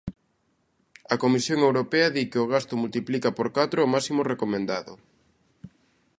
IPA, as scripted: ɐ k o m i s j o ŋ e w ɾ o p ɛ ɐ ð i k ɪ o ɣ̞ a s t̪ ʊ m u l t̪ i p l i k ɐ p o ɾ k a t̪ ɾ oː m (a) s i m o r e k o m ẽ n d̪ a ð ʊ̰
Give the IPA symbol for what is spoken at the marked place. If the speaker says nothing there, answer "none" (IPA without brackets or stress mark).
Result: a